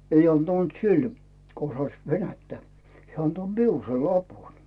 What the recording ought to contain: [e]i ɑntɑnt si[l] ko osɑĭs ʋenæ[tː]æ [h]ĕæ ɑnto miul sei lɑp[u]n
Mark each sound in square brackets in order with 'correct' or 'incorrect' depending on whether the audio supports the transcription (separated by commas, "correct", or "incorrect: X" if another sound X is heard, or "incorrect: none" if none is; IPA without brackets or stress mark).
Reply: correct, correct, correct, correct, correct